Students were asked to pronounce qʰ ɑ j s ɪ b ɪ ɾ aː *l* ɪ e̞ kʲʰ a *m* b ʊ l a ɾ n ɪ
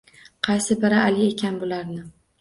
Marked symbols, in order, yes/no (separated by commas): yes, no